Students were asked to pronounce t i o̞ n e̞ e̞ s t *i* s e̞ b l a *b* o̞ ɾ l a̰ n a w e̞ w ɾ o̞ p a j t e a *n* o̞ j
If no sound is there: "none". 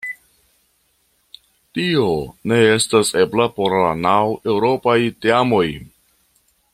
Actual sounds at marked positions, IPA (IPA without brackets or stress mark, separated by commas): a, p, m